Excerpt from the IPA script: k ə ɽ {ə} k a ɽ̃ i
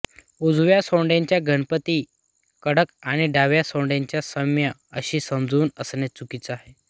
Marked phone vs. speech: correct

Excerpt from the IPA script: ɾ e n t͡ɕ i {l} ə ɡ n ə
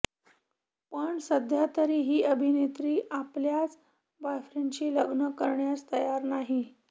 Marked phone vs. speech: correct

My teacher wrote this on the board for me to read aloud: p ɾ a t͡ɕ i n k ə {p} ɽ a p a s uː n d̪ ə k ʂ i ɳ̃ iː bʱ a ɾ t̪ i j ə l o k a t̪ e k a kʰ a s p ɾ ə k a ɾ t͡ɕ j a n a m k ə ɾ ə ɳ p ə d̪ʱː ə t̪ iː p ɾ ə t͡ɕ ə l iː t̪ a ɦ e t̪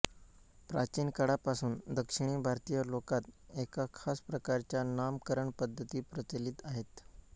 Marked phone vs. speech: incorrect: none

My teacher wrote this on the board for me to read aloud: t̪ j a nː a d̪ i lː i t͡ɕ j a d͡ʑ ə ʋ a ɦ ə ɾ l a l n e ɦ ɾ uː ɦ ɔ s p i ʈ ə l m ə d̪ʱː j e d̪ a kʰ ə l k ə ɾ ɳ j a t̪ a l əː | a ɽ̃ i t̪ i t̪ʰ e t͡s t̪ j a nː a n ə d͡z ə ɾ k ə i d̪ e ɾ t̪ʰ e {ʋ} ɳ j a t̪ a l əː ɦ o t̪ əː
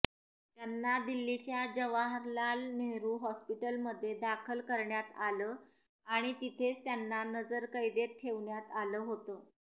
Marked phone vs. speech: correct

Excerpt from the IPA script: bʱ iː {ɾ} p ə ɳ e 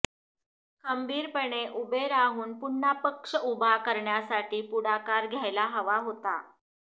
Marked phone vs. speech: correct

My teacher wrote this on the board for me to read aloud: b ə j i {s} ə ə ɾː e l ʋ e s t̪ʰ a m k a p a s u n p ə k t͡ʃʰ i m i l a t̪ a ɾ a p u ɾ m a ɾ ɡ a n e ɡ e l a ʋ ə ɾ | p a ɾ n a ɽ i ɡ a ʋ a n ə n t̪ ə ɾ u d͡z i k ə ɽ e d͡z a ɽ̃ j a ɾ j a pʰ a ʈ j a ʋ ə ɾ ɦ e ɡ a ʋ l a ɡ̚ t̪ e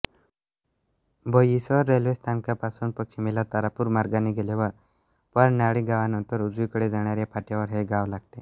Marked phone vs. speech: correct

